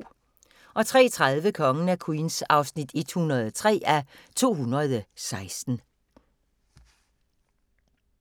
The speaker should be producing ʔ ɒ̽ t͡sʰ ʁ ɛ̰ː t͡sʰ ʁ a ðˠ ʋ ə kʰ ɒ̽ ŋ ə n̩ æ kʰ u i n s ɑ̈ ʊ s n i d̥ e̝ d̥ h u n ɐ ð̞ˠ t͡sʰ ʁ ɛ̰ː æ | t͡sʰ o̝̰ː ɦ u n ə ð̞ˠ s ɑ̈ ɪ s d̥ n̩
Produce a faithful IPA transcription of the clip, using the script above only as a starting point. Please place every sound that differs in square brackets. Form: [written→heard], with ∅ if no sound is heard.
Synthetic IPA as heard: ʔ ɒ̽ t͡sʰ ʁ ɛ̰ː t͡sʰ ʁ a ðˠ ʋ ə kʰ ɒ̽ ŋ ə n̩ æ kʰ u i n s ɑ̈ ʊ s n i d̥ e̝ d̥ h u n ɐ ð̞ˠ t͡sʰ ʁ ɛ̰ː æ | t͡sʰ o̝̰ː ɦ u n [ə→ɐ] ð̞ˠ s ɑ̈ ɪ s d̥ n̩